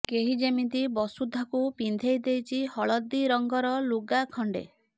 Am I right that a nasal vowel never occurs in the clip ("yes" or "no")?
yes